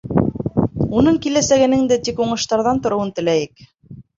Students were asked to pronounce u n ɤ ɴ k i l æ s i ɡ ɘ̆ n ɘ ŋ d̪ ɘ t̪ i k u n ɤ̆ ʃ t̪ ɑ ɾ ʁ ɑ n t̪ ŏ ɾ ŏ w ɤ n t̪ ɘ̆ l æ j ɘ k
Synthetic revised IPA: u n ɤ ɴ k i l æ s æ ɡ ɘ̆ n ɘ ŋ d̪ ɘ t̪ i k u ɴ ɤ̆ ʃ t̪ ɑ ɾ ð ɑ n t̪ ŏ ɾ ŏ w ɤ n t̪ ɘ̆ l æ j ɘ k